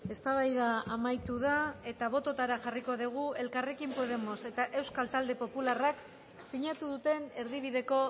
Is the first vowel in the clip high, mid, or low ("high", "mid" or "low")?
mid